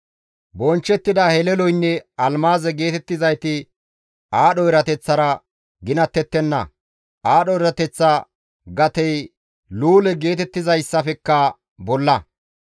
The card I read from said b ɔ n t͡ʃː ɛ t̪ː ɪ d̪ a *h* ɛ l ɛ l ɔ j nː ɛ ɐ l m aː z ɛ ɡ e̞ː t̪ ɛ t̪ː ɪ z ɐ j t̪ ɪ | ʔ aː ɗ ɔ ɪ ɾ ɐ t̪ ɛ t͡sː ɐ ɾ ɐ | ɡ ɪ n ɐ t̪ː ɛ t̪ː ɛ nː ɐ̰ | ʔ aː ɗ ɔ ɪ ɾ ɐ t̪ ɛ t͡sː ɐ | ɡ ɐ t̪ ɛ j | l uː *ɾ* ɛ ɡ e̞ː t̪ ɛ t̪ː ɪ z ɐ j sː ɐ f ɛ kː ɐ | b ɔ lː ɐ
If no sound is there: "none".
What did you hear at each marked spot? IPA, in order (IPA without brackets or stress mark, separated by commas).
h, l